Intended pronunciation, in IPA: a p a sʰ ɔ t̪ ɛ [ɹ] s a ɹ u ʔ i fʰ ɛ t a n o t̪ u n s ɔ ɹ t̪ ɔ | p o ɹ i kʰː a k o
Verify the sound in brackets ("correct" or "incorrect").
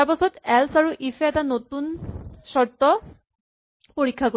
incorrect